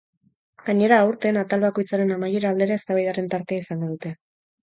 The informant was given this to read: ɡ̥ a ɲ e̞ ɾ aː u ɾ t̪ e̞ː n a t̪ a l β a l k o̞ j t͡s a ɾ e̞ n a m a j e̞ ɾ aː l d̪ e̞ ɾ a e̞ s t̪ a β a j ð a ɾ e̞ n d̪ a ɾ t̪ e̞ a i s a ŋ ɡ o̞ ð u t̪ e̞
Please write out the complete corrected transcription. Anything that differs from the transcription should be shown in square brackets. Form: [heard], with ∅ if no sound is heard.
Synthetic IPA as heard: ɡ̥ a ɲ e̞ ɾ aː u ɾ t̪ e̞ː n a t̪ a l β a [∅] k o̞ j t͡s a ɾ e̞ n a m a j e̞ ɾ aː l d̪ e̞ ɾ a e̞ s t̪ a β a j ð a ɾ e̞ n [t̪] a ɾ t̪ e̞ a i s a ŋ ɡ o̞ ð u t̪ e̞